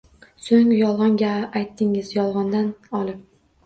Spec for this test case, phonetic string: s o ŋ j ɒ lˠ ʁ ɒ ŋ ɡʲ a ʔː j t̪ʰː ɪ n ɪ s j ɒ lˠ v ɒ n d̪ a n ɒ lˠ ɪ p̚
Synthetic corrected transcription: s o ŋ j ɒ lˠ ʁ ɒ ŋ ɡʲ a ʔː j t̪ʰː ɪ ŋ ɪ z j ɒ lˠ ʁ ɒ n d̪ a n ɒ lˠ ɪ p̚